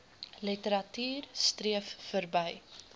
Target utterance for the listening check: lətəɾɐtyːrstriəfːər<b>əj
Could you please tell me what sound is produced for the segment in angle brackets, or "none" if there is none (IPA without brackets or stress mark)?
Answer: b